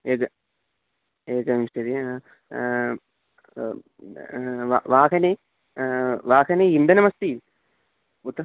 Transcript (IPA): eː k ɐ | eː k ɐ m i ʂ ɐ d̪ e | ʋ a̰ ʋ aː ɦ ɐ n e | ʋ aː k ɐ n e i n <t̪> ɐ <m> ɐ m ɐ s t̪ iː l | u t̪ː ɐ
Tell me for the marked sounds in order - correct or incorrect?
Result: incorrect, incorrect

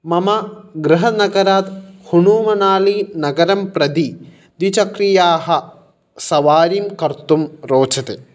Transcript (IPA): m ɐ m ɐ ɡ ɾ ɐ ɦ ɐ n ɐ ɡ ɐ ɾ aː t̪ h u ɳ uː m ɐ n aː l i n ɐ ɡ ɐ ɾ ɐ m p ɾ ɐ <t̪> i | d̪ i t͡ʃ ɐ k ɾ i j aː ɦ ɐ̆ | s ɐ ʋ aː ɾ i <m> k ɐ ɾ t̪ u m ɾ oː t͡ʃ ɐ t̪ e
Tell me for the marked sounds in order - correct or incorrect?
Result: incorrect, correct

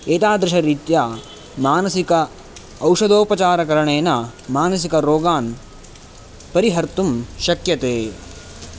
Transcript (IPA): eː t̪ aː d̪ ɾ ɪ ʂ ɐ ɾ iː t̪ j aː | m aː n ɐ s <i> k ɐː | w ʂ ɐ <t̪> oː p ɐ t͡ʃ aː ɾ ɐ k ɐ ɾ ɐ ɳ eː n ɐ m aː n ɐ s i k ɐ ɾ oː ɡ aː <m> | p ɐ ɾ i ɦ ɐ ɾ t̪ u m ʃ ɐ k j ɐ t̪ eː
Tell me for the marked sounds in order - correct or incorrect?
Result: correct, incorrect, incorrect

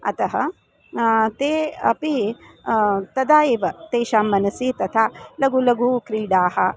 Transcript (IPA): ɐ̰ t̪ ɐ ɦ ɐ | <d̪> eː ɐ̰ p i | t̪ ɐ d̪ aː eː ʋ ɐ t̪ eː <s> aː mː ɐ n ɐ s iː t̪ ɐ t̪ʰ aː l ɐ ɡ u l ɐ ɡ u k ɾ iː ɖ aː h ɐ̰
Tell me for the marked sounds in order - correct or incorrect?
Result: incorrect, incorrect

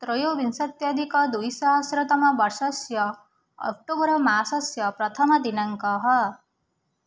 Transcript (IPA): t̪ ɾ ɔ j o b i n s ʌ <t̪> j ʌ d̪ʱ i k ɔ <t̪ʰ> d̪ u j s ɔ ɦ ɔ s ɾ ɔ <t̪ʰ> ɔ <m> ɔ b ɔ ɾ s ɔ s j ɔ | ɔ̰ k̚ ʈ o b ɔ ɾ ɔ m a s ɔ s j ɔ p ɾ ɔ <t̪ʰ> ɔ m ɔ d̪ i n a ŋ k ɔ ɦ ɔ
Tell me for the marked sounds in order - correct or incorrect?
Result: correct, incorrect, incorrect, correct, correct

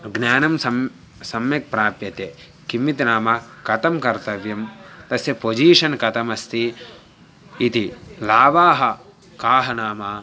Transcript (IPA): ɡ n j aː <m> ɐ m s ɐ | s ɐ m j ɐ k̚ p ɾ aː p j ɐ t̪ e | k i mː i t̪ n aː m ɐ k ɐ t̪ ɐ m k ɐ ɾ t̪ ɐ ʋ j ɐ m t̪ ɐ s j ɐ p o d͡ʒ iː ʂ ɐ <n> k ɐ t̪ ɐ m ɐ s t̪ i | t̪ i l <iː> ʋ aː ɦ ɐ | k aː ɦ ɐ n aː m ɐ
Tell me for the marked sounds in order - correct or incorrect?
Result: incorrect, correct, incorrect

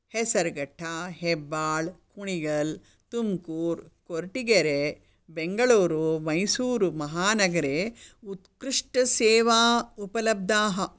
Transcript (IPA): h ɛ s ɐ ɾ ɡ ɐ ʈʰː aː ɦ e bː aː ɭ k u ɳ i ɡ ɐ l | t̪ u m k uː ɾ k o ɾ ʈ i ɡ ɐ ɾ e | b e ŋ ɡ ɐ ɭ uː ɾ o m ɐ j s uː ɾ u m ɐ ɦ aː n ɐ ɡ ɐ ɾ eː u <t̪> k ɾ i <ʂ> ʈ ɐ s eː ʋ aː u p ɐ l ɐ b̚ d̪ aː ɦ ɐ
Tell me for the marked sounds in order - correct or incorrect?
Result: correct, correct

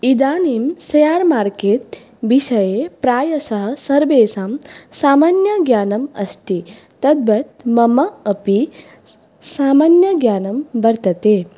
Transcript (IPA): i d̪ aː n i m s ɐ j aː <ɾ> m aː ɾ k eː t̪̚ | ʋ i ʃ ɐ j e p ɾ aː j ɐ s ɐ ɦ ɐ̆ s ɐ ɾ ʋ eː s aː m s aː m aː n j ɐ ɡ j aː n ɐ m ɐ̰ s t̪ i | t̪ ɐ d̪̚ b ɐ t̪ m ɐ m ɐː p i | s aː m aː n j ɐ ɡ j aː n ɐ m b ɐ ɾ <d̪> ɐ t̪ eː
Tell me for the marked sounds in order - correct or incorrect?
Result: correct, incorrect

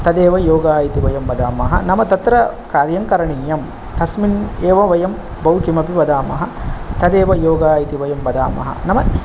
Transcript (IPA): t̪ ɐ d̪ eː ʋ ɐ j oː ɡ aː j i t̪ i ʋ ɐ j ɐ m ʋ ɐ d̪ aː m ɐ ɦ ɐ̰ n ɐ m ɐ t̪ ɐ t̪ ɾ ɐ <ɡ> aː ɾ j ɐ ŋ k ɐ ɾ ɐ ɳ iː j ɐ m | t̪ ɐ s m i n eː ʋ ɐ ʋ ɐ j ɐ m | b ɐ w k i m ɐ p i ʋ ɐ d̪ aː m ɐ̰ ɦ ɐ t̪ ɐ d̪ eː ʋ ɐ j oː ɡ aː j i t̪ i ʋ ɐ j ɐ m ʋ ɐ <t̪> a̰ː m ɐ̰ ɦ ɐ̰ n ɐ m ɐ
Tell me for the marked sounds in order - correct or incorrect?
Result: incorrect, incorrect

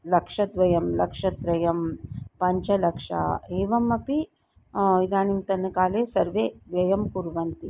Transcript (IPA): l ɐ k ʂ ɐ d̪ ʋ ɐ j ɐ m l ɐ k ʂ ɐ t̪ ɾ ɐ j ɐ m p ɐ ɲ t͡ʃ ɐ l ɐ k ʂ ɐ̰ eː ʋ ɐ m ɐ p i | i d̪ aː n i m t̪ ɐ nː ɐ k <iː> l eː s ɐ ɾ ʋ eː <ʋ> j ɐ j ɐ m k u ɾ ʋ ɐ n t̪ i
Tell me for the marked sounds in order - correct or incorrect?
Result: incorrect, correct

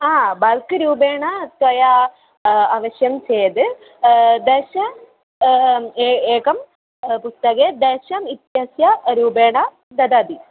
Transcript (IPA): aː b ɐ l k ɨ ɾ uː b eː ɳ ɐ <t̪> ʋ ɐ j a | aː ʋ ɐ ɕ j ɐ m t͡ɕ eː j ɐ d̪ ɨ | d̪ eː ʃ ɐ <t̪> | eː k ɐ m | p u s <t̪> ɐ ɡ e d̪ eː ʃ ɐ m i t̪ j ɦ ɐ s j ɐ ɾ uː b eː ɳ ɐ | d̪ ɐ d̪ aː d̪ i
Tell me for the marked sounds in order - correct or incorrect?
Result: correct, incorrect, correct

